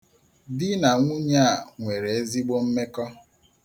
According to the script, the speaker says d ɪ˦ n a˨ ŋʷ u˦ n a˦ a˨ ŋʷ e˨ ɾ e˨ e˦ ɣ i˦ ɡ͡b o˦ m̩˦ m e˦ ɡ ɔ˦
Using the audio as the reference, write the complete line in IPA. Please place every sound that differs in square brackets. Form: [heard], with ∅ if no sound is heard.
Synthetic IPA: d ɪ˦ n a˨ ŋʷ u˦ [ɲ] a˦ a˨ ŋʷ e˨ ɾ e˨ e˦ [z] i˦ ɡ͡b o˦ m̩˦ m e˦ [k] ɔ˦